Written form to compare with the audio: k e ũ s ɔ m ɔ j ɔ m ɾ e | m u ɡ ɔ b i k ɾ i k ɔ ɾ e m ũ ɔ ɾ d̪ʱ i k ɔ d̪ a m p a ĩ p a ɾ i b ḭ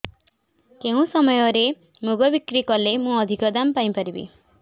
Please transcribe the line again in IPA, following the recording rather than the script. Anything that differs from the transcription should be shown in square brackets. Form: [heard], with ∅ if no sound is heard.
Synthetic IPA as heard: k e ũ s ɔ m ɔ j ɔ [∅] ɾ e | m u ɡ ɔ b i k ɾ i k ɔ [l] e m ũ ɔ [∅] d̪ʱ i k ɔ d̪ a m p a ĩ p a ɾ i b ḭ